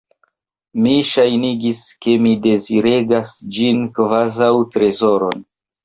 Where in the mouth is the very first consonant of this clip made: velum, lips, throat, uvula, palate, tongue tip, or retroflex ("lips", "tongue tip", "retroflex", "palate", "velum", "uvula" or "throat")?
lips